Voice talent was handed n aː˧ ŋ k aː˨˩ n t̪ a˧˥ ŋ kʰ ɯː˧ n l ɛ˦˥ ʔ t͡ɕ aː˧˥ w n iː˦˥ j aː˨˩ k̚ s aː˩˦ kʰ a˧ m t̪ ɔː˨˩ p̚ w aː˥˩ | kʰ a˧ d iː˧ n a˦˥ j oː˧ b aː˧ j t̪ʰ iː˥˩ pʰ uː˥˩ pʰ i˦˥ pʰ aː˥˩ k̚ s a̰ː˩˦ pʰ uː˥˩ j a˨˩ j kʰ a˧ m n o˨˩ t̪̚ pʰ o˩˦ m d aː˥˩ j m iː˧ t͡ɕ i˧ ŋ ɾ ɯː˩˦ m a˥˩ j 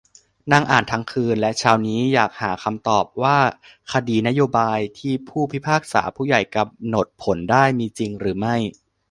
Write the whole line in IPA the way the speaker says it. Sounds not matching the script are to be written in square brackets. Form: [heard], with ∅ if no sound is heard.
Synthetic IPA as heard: n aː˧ ŋ [ʔ] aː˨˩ n [t̪ʰ] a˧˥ ŋ kʰ ɯː˧ n l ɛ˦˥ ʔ [t͡ɕʰ] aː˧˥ w n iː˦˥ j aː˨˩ k̚ [h] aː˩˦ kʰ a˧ m t̪ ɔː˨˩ p̚ w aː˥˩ | kʰ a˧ d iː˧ n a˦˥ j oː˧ b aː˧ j t̪ʰ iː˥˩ pʰ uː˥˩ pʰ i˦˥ pʰ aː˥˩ k̚ s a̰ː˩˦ pʰ uː˥˩ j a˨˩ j [k] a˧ m n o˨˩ t̪̚ pʰ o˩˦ [n] d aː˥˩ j m iː˧ t͡ɕ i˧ ŋ ɾ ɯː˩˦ m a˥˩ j